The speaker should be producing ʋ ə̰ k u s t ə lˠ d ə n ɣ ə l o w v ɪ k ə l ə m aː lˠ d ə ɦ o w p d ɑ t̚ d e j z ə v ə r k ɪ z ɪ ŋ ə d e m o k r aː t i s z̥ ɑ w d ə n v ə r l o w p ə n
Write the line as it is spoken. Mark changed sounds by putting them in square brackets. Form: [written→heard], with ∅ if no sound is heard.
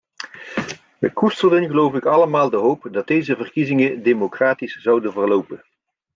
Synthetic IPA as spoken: ʋ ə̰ k u s t ə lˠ d ə n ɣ ə l o w v ɪ k [ə→ɑ] l ə m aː lˠ d ə ɦ o w p d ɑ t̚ d e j z ə v ə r k [ɪ→i] z ɪ ŋ ə d e m o k r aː t i s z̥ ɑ w d ə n v ə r l o w p ə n